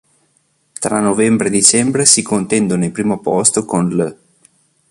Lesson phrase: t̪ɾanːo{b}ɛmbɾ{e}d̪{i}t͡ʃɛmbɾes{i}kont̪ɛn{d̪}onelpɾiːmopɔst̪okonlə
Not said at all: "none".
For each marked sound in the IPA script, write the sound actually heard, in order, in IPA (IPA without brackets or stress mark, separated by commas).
v, e, i, i, d̪